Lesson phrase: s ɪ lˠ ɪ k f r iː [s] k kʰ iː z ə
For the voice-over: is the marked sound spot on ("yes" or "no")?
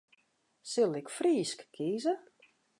yes